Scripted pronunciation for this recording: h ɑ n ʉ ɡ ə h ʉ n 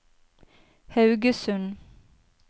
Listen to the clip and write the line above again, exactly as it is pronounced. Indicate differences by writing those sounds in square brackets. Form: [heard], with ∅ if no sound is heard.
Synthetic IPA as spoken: h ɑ [∅] ʉ ɡ ə [s] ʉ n